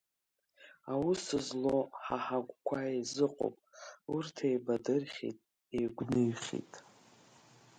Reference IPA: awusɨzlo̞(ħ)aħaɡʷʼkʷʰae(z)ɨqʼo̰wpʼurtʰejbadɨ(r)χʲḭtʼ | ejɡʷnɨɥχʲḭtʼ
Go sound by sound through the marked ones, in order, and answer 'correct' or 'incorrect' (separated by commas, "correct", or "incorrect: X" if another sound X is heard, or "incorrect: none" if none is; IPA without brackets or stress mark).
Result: correct, correct, correct